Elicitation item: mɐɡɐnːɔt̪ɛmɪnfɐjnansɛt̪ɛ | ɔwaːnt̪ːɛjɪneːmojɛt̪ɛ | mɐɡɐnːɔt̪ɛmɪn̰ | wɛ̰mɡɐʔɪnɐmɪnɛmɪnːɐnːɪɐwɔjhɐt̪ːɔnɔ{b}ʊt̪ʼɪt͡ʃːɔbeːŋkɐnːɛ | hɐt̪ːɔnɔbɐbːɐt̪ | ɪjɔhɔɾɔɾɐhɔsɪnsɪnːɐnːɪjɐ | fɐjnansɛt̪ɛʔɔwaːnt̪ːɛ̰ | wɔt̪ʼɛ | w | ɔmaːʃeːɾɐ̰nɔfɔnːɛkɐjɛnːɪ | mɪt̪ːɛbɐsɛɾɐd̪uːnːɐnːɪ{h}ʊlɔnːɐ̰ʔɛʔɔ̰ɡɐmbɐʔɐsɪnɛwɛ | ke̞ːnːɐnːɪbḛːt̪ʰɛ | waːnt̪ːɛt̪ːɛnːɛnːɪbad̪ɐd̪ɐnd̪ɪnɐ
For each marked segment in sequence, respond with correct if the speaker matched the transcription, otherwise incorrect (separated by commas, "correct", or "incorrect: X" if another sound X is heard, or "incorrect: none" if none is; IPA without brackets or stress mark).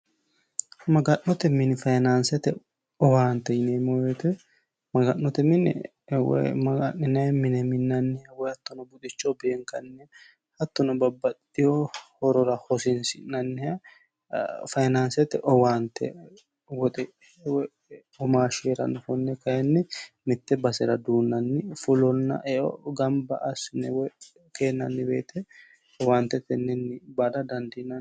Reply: correct, incorrect: f